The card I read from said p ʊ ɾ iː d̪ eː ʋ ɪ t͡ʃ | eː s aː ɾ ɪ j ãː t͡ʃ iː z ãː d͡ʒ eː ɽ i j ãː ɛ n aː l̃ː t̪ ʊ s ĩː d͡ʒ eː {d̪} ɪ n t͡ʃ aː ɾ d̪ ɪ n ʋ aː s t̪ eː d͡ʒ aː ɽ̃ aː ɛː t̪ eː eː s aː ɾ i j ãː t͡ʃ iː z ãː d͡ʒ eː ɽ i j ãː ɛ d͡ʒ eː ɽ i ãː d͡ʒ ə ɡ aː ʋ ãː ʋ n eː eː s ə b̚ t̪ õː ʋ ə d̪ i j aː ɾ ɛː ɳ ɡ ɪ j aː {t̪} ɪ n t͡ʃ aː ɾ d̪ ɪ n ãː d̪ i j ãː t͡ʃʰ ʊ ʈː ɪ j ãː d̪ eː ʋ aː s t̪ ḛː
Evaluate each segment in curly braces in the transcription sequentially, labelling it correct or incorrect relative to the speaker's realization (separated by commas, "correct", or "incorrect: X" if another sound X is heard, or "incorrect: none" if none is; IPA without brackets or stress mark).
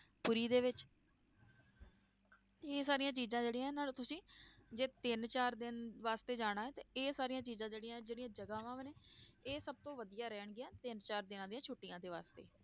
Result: incorrect: t̪, correct